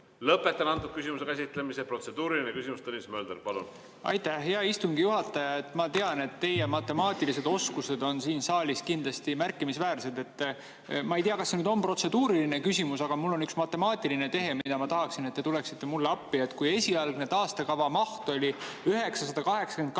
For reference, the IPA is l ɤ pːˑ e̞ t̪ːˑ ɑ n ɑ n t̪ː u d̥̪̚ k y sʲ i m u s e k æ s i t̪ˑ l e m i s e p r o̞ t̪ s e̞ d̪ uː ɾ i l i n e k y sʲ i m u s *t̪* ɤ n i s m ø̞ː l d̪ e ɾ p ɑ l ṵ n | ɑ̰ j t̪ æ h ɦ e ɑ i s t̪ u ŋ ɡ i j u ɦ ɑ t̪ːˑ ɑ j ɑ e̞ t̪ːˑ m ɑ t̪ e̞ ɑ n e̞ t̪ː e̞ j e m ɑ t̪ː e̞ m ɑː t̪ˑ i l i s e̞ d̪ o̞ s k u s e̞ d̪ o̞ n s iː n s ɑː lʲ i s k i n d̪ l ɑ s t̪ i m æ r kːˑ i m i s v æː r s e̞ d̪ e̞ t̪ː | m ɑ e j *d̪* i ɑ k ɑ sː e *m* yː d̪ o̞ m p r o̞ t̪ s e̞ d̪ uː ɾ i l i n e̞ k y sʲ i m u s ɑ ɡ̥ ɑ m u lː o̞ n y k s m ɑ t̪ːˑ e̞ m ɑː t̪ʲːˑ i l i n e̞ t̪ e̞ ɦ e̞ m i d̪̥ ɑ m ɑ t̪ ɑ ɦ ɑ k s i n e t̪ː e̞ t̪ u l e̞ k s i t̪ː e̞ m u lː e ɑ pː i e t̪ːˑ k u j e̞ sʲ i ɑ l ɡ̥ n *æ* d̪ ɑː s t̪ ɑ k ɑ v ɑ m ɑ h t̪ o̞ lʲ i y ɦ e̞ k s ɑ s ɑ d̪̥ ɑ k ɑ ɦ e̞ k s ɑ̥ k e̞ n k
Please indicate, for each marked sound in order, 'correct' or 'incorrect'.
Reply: correct, incorrect: t̪, incorrect: n, incorrect: e

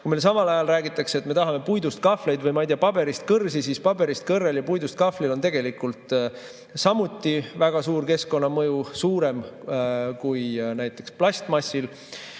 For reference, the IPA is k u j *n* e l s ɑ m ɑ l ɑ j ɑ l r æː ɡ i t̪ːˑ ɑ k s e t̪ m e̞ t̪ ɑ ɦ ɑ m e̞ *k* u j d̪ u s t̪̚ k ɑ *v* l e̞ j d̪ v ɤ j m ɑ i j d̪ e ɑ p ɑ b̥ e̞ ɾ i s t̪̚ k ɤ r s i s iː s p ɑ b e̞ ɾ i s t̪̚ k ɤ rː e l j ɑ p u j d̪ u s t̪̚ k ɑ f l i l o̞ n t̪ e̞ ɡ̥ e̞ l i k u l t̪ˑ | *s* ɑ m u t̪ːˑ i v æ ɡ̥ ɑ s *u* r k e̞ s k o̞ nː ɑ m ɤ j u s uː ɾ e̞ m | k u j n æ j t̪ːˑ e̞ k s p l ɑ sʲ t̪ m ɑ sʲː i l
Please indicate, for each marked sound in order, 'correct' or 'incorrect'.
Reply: incorrect: m, incorrect: p, incorrect: f, correct, incorrect: uː

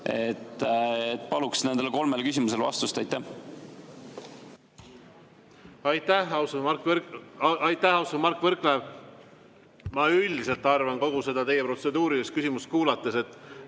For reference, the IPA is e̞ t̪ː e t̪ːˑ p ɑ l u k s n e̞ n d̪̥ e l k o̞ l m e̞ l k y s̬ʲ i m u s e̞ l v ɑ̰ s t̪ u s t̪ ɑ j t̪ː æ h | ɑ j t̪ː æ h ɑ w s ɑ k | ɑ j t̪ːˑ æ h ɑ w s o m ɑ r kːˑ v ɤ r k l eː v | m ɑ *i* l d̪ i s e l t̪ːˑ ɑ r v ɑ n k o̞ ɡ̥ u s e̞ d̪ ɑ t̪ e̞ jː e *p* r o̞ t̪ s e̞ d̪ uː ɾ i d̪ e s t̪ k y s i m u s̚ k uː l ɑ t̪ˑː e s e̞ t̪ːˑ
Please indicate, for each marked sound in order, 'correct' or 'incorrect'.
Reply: incorrect: y, correct

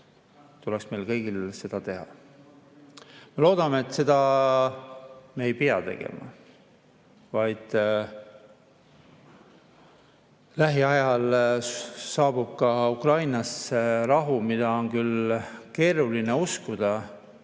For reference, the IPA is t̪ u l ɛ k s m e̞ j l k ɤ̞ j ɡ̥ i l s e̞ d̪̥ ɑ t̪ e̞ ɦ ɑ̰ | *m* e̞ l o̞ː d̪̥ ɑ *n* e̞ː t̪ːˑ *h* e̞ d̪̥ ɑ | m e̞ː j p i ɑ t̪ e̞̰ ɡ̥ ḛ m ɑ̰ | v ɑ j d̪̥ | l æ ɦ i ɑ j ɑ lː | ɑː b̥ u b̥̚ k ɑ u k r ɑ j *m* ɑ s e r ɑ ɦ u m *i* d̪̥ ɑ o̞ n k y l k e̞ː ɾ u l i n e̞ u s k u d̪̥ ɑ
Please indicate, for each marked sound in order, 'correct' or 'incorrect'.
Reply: correct, incorrect: m, incorrect: s, incorrect: n, correct

